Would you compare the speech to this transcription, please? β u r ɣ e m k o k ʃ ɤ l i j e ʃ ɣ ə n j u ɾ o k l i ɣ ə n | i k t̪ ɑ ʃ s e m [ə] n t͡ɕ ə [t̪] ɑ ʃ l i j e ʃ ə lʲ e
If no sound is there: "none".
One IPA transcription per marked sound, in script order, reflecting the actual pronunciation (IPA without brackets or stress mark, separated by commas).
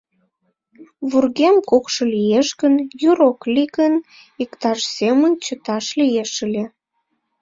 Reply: ə, t̪